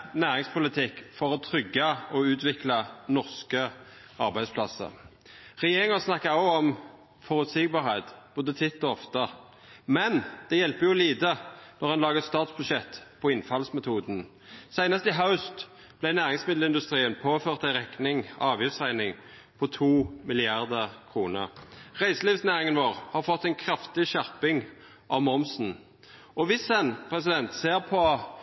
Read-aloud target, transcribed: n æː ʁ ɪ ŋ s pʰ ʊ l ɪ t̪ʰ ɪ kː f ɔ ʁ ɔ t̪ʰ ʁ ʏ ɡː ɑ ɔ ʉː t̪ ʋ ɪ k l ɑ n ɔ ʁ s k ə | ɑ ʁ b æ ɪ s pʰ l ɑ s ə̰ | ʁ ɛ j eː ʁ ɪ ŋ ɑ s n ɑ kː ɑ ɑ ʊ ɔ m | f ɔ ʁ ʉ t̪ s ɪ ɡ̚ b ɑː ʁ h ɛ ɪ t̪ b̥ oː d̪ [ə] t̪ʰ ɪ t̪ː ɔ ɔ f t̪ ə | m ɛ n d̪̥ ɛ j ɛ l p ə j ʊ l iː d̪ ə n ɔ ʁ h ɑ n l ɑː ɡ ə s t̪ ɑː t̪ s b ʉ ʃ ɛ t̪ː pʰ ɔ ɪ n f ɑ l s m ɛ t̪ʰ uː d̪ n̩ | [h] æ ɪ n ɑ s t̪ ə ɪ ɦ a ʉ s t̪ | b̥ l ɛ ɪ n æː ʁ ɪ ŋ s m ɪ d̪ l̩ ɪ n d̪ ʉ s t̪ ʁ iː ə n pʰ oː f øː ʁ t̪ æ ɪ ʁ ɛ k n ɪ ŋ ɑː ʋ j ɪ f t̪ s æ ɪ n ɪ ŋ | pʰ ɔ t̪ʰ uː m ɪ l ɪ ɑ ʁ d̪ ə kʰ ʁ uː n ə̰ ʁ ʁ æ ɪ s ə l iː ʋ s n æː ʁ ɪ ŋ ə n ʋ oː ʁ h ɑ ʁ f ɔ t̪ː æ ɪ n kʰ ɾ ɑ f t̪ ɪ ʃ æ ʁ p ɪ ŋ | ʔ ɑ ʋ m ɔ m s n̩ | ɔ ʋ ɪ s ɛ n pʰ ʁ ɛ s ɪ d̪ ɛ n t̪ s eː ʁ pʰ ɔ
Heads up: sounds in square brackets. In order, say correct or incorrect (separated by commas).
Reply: correct, incorrect